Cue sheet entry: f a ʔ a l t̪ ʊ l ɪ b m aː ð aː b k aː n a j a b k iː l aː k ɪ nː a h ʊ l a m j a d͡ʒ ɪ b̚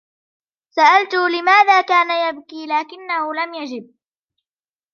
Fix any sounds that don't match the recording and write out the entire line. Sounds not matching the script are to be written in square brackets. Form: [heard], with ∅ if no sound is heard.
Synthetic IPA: [s] a ʔ a l t̪ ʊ l ɪ [∅] m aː ð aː [∅] k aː n a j a b k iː l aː k ɪ nː a h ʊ l a m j a d͡ʒ ɪ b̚